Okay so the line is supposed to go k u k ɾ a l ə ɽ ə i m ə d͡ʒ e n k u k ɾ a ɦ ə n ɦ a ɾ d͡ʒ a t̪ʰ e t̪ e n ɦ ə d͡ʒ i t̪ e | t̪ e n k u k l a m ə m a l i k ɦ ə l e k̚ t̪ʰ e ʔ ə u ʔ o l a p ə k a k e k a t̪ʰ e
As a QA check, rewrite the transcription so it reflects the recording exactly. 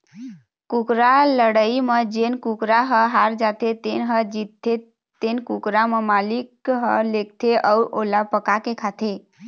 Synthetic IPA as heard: k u k ɾ a l ə ɽ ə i m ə d͡ʒ e n k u k ɾ a ɦ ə ɦ a ɾ d͡ʒ a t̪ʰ e t̪ e n ɦ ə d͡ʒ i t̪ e | t̪ e n k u k ɾ a m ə m a l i k ɦ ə l e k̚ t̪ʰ e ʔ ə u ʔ o l a p ə k a k e kʰ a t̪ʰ e